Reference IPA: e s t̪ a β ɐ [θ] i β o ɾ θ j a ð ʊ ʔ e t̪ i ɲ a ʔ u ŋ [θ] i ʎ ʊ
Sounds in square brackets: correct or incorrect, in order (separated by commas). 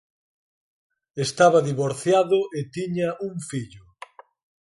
incorrect, incorrect